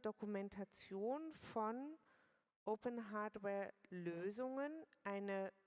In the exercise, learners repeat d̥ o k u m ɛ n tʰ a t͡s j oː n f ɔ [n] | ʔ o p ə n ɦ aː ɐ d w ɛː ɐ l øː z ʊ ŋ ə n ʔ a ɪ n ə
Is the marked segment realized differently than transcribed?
no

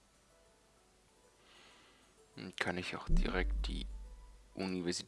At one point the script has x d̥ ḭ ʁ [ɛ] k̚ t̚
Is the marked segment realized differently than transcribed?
no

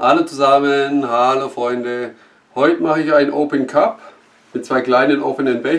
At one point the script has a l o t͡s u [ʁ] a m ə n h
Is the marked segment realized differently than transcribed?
yes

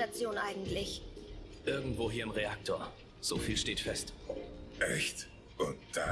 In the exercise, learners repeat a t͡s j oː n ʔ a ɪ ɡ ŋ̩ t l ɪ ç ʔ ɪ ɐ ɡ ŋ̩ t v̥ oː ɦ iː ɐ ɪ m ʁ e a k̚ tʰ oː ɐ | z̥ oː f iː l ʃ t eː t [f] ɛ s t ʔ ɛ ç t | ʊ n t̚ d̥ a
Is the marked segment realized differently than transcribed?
no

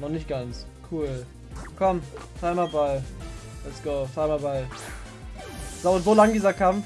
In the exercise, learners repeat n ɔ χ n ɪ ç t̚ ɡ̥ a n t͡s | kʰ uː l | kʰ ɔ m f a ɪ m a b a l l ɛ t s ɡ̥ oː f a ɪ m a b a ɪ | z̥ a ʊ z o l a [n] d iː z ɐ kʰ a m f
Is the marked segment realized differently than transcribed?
yes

